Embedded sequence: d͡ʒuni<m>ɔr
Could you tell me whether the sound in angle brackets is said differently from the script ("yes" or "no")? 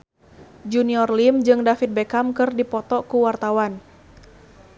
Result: yes